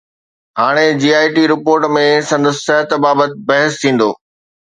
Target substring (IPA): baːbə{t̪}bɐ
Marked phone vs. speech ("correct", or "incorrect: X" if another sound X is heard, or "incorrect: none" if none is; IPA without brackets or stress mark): correct